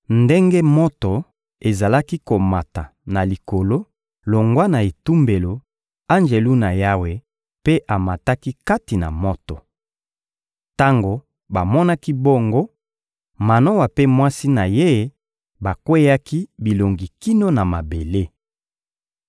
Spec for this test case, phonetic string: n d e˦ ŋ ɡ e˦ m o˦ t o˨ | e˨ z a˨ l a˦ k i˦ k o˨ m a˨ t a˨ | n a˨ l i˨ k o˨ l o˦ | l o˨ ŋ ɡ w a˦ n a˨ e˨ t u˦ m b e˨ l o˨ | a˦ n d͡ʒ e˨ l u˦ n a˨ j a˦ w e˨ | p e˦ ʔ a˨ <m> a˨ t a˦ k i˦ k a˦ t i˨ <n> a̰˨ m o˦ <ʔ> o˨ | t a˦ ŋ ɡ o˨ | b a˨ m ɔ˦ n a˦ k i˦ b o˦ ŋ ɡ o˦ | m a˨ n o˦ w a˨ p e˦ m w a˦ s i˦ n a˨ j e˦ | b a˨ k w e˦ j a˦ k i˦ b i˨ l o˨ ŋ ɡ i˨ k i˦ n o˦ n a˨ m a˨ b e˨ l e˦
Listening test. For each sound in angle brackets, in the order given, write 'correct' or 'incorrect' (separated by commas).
correct, correct, incorrect